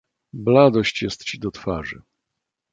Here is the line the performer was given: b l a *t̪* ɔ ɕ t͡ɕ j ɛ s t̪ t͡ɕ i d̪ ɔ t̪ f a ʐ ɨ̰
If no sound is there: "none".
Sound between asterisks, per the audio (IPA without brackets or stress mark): d̪